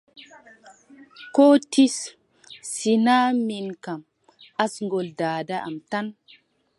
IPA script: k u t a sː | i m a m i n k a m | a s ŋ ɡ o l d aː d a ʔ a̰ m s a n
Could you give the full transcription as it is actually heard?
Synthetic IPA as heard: k o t i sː | i n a m i n k a m | a s ŋ ɡ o l d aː d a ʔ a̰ m t a n